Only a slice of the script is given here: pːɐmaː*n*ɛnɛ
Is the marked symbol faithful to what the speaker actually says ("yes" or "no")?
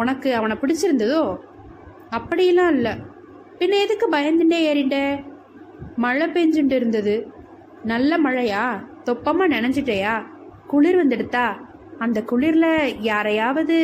yes